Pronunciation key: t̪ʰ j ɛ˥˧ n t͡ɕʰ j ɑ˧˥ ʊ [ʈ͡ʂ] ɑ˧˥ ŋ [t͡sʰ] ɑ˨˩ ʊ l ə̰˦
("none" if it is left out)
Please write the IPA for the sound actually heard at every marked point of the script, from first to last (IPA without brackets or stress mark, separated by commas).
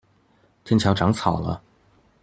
ʈ͡ʂ, t͡sʰ